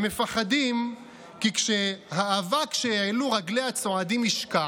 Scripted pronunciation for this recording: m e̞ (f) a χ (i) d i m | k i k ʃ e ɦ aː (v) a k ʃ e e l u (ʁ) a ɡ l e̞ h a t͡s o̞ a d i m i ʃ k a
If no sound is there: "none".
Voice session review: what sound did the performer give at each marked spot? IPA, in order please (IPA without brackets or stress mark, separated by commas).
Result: f, a, v, ʁ